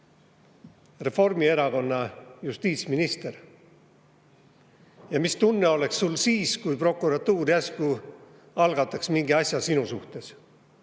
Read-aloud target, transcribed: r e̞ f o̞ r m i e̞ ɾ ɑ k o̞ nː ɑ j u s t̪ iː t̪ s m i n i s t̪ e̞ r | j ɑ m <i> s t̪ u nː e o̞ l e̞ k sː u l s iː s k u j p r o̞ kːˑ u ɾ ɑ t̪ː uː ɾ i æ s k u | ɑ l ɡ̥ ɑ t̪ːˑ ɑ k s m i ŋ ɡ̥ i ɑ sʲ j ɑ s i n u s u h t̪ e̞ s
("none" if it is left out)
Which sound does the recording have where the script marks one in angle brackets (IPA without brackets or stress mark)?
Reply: i